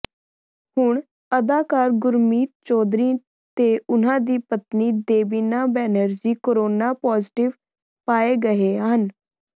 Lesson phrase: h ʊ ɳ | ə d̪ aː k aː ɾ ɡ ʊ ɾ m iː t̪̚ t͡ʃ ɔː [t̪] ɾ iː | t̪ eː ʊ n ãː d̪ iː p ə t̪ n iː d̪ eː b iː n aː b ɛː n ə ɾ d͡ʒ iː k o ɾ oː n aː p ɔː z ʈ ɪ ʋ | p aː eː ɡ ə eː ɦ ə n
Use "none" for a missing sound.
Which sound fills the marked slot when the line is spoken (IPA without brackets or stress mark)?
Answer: d̪